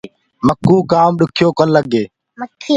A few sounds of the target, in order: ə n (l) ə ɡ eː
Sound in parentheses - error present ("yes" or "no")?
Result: no